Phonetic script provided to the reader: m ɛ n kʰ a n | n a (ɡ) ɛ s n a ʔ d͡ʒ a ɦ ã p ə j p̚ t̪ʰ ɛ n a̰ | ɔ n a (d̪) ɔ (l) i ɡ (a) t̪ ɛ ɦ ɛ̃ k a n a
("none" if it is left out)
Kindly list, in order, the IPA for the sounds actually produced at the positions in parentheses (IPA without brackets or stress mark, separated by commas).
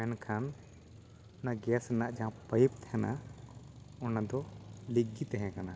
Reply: ɡ, d̪, l, i